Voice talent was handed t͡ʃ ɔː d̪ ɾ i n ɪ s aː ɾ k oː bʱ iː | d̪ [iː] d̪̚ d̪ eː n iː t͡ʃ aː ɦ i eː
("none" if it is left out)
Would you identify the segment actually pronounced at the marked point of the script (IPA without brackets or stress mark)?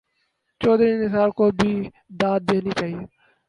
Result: aː